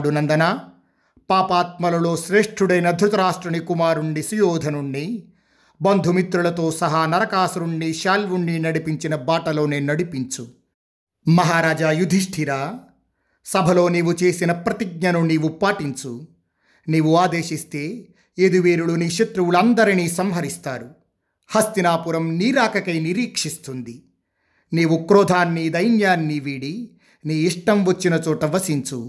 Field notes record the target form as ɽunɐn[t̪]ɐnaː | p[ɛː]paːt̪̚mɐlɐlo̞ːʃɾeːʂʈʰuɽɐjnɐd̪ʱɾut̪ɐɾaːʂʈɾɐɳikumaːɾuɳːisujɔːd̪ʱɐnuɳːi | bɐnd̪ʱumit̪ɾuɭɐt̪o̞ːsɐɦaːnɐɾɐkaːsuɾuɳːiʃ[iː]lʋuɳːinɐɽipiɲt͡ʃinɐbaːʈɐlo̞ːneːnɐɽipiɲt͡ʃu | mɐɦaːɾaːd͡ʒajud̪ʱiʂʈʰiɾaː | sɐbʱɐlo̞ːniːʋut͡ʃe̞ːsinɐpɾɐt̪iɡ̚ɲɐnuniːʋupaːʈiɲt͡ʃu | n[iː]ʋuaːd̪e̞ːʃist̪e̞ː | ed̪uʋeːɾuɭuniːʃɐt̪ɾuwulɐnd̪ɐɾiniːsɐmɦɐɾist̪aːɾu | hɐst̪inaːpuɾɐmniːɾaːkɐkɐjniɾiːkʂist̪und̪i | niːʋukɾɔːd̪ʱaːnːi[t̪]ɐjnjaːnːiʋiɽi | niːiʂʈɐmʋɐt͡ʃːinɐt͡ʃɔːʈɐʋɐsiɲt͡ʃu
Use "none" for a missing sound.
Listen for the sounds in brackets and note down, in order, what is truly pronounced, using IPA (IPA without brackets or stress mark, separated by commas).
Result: d̪, aː, aː, iː, d̪